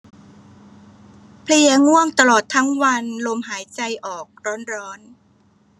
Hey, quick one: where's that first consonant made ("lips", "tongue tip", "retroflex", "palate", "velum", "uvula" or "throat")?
lips